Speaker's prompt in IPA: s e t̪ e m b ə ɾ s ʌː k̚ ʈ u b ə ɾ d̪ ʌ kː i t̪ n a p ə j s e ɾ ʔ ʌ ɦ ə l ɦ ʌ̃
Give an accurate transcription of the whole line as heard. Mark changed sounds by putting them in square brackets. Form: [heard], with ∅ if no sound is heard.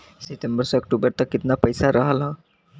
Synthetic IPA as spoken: s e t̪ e m b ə ɾ s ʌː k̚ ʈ u b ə ɾ [t̪] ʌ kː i t̪ n a p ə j s [a] ɾ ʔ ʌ ɦ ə l ɦ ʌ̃